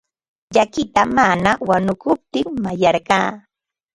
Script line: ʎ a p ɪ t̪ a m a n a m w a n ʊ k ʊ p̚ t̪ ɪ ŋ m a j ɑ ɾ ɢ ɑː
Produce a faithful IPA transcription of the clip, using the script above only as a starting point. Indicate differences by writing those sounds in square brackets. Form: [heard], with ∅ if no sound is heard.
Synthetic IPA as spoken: ʎ a [k] ɪ t̪ a m a n a [∅] w a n ʊ k ʊ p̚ t̪ ɪ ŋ m a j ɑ ɾ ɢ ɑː